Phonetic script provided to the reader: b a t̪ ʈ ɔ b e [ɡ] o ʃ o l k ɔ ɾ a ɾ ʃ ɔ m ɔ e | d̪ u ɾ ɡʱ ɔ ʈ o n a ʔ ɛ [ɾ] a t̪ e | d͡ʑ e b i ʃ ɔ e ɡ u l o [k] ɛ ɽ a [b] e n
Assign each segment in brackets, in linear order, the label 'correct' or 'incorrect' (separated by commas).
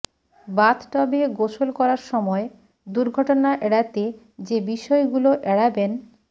correct, incorrect, incorrect, correct